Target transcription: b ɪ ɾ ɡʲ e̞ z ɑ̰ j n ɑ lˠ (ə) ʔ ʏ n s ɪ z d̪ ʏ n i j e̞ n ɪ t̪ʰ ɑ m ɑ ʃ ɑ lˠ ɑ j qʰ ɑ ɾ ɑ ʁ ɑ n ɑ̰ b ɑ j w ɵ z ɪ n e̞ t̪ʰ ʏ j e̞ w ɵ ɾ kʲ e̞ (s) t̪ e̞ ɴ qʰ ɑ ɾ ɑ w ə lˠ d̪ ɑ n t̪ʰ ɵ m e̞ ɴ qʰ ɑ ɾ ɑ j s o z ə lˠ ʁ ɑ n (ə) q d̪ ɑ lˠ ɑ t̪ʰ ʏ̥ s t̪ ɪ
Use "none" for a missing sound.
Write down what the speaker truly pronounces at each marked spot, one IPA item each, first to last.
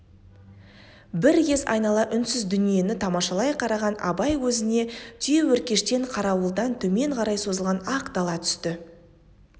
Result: ɑ, ʃ, ɑ

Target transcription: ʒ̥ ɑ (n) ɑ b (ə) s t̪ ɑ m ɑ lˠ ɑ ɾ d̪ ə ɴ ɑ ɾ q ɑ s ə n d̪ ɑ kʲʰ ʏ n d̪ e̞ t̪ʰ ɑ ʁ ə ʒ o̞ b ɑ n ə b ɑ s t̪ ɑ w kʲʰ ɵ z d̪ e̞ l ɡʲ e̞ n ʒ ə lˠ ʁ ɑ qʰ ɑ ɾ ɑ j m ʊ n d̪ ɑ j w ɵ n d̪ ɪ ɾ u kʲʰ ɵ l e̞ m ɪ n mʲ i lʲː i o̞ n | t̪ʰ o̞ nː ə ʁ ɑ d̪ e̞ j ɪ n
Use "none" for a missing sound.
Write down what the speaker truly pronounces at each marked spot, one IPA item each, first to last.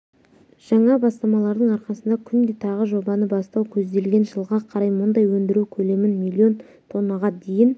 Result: ɴ, ɑ

